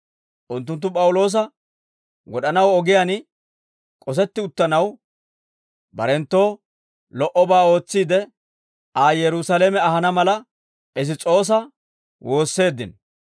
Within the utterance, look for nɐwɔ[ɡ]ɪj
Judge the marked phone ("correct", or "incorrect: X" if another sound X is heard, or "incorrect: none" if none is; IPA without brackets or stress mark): correct